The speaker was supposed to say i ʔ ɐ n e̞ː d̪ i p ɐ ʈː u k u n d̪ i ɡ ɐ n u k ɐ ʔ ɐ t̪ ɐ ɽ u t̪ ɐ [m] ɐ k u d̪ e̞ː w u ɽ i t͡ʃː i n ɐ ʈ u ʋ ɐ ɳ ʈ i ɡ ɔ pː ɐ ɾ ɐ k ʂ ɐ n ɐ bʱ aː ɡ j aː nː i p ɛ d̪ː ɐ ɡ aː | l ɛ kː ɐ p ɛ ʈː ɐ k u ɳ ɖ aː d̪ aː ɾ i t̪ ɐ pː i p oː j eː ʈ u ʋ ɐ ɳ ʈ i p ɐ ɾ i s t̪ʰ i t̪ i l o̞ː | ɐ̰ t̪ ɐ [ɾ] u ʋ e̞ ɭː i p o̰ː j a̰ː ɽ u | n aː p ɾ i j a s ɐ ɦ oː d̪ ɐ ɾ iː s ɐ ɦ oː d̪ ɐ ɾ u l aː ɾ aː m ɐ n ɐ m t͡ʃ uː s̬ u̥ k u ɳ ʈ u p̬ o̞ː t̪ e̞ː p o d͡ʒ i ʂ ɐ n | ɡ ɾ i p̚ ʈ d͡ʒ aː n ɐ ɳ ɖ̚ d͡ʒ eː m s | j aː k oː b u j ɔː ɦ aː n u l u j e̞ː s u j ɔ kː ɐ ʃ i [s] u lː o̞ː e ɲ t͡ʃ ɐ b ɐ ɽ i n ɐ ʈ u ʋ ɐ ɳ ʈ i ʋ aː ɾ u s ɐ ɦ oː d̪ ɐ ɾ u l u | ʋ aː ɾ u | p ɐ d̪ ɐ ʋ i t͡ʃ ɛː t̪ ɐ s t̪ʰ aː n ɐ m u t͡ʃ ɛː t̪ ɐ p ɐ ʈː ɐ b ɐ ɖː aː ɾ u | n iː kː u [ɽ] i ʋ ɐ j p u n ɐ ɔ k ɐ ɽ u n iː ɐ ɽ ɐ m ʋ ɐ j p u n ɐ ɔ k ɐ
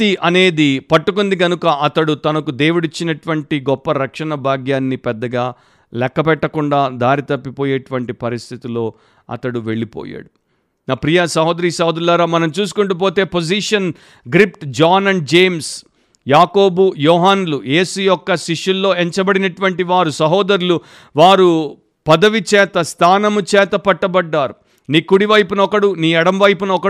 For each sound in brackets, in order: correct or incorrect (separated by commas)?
incorrect, incorrect, incorrect, correct